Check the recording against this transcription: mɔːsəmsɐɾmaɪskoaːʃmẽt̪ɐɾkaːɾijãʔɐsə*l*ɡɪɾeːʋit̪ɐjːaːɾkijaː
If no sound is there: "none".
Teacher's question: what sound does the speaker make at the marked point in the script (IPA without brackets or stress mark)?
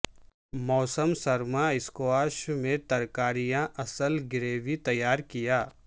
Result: l